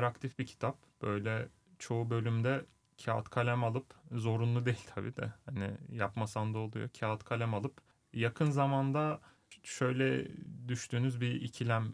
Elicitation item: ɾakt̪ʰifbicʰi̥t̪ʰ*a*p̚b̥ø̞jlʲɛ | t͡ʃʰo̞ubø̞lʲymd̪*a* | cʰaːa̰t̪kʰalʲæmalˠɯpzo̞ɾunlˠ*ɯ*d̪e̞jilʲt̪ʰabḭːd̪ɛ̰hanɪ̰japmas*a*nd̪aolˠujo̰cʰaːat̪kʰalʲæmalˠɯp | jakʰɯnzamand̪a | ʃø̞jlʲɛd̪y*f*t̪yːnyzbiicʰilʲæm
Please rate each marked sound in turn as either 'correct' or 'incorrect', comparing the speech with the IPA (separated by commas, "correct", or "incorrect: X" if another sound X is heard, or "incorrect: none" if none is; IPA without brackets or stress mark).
correct, incorrect: ɛ, incorrect: u, correct, incorrect: ʃ